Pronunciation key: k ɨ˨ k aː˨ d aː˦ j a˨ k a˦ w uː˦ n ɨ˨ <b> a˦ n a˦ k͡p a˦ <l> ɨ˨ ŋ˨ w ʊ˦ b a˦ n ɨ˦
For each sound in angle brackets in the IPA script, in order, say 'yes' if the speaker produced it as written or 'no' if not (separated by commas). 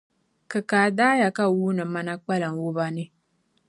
no, yes